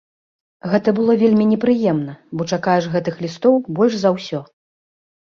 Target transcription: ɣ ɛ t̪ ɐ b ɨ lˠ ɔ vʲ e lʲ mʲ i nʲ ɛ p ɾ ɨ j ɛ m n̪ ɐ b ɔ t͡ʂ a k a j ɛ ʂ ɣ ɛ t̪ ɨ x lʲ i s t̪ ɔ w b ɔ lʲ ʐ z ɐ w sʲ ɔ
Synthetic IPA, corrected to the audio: ɣ ɛ t̪ ɐ b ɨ lˠ ɔ vʲ e lʲ mʲ i nʲ ɛ p ɾ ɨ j ɛ m n̪ ɐ b ɔ t͡ʂ a k a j ɛ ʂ ɣ ɛ t̪ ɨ x lʲ i s t̪ ɔ w b ɔ lʲ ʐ z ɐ w sʲ ɔ